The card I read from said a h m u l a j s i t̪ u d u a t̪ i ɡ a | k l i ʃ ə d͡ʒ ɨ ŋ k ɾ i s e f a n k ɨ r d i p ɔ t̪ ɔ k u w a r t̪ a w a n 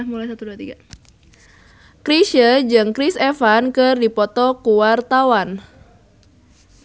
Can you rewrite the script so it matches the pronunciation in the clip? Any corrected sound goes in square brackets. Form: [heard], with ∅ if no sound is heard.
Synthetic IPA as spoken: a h m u l a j s [a] t̪ u d u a t̪ i ɡ a | k [ɾ] i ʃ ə d͡ʒ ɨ ŋ k ɾ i s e f a n k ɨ r d i p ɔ t̪ ɔ k u w a r t̪ a w a n